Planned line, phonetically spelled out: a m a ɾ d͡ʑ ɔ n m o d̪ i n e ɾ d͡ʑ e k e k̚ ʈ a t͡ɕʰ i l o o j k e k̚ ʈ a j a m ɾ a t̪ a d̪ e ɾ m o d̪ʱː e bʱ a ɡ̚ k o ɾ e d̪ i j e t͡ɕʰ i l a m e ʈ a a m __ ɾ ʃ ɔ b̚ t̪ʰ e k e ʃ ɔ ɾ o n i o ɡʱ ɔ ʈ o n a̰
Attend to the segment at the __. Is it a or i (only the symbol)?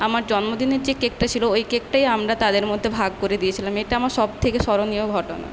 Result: a